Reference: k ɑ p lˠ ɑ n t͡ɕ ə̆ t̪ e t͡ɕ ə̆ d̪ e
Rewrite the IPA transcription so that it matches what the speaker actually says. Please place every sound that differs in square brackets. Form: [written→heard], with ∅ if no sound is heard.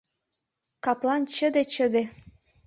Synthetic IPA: k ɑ p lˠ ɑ n t͡ɕ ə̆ [t̪→d̪] e t͡ɕ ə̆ d̪ e